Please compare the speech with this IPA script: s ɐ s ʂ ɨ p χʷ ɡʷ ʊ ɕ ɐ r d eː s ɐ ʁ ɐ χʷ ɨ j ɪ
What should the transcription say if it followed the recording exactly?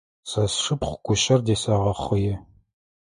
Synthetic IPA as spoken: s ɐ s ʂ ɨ p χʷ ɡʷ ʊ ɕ ɐ r d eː s ɐ ʁ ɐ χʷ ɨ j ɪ